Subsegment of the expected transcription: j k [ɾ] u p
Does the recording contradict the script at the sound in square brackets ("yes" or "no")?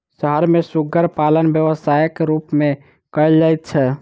no